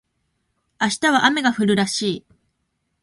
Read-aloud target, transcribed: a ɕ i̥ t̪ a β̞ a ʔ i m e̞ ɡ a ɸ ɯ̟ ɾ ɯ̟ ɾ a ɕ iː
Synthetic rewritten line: a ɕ i̥ t̪ a β̞ a ʔ a m e̞ ɡ a ɸ ɯ̟ ɾ ɯ̟ ɾ a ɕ iː